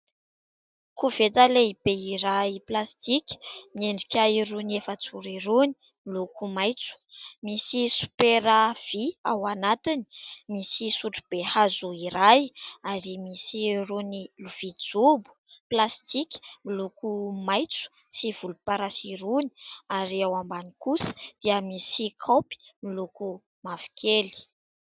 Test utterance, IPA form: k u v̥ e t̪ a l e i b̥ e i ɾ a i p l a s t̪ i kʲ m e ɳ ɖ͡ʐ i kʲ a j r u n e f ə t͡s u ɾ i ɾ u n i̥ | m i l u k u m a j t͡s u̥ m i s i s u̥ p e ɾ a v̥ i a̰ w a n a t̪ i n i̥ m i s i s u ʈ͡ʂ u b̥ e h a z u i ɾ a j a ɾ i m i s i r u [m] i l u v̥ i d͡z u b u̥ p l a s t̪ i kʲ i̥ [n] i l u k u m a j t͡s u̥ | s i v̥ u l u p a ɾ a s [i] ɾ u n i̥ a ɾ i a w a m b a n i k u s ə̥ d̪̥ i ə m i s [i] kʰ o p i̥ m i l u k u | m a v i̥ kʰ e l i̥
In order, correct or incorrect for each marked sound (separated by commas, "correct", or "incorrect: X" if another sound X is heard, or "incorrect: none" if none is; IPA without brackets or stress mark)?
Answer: incorrect: n, incorrect: m, correct, correct